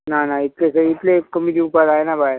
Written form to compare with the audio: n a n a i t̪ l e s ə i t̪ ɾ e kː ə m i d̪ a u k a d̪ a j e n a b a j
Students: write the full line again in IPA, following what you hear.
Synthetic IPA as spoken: n a n a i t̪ l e s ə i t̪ l e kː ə m i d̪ i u p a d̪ a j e n a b a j

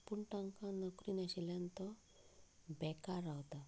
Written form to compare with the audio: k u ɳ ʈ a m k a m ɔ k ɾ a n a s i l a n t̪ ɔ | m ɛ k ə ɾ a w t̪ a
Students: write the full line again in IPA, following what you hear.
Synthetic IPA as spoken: p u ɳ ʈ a ŋ k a n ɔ k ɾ i n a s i l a n t̪ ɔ | b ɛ k a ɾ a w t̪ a

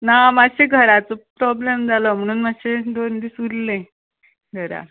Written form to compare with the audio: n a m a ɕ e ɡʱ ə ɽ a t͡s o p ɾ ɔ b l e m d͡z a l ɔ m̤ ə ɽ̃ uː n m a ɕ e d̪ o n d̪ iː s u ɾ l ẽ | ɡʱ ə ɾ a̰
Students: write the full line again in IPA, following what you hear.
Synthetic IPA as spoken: n a m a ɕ e ɡʱ ə ɾ a t͡s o p ɾ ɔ b l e m d͡z a l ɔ m̤ ə ɽ̃ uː n m a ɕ e d̪ o n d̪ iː s u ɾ l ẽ | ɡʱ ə ɾ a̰

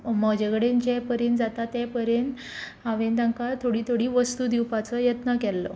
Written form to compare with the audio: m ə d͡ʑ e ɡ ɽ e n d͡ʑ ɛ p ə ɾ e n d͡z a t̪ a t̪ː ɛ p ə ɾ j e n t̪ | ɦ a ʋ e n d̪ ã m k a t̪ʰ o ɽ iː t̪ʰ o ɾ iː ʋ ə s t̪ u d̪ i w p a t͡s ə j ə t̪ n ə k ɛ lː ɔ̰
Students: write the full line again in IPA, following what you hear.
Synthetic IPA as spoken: m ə d͡ʑ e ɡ ɽ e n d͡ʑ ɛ p ə ɾ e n d͡z a t̪ a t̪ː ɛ p ə ɾ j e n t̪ | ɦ a ʋ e n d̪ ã ŋ k a t̪ʰ o ɽ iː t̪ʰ o ɽ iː ʋ ə s t̪ u d̪ i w p a t͡s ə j ə t̪ n ə k ɛ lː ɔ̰

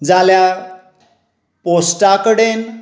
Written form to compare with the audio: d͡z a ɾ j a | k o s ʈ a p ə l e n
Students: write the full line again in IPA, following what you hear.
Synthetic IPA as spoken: d͡z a l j a | p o s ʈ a k ə ɽ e n

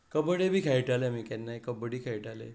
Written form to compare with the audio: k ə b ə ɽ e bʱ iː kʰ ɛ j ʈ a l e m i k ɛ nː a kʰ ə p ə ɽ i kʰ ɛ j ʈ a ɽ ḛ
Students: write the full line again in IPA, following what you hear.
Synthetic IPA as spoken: k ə b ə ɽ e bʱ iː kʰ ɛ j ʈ a l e m i k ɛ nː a k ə b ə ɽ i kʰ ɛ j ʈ a l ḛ

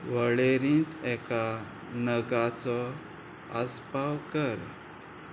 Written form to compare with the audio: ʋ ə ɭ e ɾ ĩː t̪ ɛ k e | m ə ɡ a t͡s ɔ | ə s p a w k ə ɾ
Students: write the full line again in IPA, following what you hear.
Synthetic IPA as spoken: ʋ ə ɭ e ɾ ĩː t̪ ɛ k a | n ə ɡ a t͡s ɔ | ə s p a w k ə ɾ

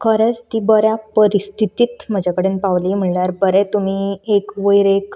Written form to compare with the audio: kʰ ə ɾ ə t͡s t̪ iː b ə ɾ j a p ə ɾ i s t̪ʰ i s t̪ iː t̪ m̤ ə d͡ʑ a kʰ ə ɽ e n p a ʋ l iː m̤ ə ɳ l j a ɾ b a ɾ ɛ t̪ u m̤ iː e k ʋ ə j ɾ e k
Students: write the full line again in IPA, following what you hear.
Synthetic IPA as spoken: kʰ ə ɾ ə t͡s t̪ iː b ə ɾ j a p ə ɾ i s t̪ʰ i t̪ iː t̪ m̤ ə d͡ʑ a k ə ɽ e n p a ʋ l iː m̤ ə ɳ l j a ɾ b ə ɾ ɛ t̪ u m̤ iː e k ʋ ə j ɾ e k

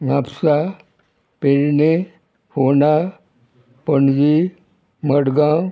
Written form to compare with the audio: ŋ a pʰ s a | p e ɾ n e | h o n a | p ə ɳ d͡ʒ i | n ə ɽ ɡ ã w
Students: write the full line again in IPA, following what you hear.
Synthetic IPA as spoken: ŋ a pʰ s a | p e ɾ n e | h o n a | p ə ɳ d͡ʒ i | m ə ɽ ɡ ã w

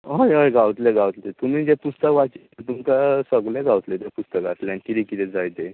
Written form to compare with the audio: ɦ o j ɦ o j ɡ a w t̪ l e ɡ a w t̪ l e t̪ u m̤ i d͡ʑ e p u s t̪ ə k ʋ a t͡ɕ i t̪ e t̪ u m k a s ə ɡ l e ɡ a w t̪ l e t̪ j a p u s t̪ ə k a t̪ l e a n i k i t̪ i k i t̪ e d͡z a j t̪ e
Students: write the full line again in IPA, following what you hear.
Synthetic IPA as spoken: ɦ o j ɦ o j ɡ a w t̪ l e ɡ a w t̪ l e t̪ u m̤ i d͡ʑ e p u s t̪ ə k ʋ a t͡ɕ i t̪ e t̪ u m k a s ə ɡ l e ɡ a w t̪ l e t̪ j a p u s t̪ ə k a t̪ l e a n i k i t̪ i k i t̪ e d͡z a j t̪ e

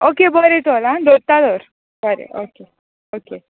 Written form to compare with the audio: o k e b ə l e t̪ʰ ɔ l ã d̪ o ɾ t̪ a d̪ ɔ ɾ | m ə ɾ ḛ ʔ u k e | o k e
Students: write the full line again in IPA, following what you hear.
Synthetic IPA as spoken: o k e b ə ɾ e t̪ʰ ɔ l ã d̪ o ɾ t̪ a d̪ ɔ ɾ | b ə ɾ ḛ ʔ o k e | o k e

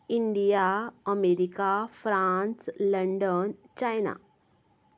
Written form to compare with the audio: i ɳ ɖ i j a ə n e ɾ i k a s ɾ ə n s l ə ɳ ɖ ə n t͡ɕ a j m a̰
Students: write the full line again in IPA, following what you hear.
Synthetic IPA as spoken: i ɳ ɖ i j a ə m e ɾ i k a f ɾ a n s l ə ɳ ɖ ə n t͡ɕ a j n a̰

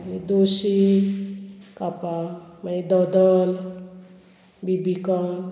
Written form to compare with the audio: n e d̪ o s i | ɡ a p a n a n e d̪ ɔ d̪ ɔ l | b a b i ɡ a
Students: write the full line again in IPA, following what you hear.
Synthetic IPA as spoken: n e d̪ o s i | k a p a m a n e d̪ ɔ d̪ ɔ l | b i b i k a

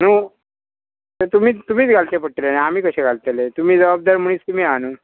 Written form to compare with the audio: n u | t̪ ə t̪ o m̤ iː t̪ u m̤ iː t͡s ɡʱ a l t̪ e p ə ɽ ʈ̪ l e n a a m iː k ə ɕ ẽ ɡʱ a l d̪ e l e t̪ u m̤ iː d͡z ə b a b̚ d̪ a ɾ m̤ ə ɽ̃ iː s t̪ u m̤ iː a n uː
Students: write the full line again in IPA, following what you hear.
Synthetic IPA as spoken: n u | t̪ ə t̪ u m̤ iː t̪ u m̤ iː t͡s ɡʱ a l t̪ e p ə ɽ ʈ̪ l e n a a m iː k ə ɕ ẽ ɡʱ a l t̪ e l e t̪ u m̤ iː d͡z ə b a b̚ d̪ a ɾ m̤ ə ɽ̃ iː s t̪ u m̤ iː a n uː

